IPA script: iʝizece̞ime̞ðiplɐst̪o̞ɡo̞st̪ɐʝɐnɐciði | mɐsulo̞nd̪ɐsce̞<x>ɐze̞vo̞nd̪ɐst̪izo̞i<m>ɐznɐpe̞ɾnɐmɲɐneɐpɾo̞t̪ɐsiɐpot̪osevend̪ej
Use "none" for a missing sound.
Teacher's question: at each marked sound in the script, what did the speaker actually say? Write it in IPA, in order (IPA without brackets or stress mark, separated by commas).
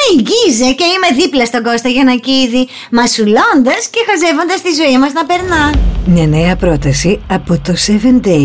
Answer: x, m